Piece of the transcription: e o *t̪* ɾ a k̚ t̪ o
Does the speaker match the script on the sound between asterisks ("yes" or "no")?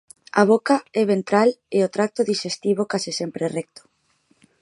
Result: yes